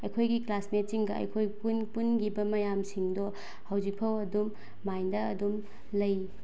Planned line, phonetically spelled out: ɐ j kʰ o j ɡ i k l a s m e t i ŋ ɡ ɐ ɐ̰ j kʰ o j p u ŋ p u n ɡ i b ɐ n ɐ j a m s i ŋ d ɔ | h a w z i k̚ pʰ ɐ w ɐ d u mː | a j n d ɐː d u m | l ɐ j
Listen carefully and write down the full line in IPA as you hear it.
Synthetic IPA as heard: ɐ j kʰ o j ɡ i k l a s m e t i ŋ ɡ ɐ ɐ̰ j kʰ o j p u n p u n ɡ i b ɐ m ɐ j a m s i ŋ d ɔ | h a w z i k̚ pʰ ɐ w ɐ d u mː | a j n d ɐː d u m | l ɐ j